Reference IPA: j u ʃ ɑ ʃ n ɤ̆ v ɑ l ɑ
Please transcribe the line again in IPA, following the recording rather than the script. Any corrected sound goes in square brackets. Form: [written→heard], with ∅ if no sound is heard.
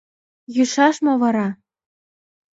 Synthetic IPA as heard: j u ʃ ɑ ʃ [n→m] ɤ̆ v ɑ [l→ɾ] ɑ